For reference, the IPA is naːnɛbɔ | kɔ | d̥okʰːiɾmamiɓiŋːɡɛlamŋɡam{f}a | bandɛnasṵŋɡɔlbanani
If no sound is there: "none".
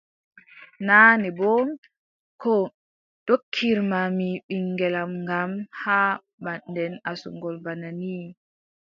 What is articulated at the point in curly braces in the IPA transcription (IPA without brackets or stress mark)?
h